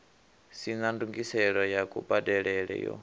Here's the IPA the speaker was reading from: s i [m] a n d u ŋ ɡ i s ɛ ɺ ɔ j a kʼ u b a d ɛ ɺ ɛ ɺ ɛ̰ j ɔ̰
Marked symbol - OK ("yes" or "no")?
no